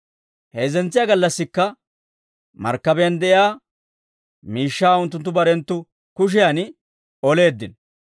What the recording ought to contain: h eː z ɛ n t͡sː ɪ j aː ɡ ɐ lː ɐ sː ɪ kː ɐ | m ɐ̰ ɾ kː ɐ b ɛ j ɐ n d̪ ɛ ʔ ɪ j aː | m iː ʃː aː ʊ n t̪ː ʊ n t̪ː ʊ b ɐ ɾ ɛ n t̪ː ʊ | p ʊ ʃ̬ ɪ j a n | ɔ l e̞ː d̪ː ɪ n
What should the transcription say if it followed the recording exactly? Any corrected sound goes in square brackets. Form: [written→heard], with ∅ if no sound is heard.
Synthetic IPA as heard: h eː z ɛ n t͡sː ɪ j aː ɡ ɐ lː ɐ sː ɪ kː ɐ | m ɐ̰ ɾ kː ɐ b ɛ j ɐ n d̪ ɛ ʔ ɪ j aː | m iː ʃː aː ʊ n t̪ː ʊ n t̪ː ʊ b ɐ ɾ ɛ n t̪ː ʊ | [p→k] ʊ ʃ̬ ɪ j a n | ɔ l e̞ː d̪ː ɪ n